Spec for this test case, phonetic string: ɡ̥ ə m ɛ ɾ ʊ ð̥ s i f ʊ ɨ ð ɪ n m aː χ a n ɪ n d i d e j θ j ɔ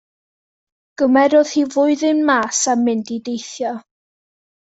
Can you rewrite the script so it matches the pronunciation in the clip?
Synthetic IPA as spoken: ɡ̥ ə m ɛ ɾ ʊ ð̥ h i v ʊ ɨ ð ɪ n m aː s a m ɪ n d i d e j θ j ɔ